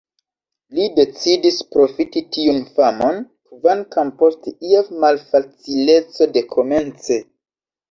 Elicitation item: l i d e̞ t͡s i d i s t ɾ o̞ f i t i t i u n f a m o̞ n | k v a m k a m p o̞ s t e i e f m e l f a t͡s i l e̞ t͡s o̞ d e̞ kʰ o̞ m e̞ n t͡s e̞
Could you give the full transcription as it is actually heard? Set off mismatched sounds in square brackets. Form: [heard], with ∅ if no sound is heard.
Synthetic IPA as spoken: l i d e̞ t͡s i d i s [p] ɾ o̞ f i t i t i u n f a m o̞ n | k v a [n] k a m p o̞ s t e i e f m [a] l f a t͡s i l e̞ t͡s o̞ d e̞ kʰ o̞ m e̞ n t͡s e̞